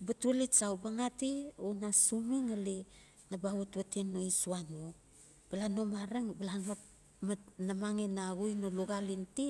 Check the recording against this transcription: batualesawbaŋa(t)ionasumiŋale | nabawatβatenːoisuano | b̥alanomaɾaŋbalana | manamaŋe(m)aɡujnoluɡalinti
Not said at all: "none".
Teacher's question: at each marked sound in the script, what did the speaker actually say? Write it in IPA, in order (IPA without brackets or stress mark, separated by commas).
t, n